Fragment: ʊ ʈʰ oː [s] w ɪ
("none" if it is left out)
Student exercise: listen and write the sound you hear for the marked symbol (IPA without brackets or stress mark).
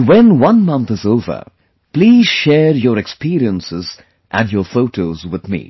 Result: z